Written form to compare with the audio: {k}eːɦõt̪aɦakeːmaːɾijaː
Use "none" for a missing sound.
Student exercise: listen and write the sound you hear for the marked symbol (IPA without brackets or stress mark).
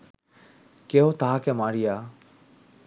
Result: k